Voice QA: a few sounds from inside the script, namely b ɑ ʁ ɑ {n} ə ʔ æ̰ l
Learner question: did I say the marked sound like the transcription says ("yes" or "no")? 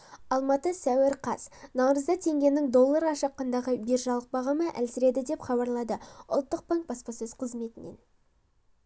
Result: no